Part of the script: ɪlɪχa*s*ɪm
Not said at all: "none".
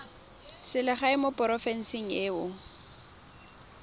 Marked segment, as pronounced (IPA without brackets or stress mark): none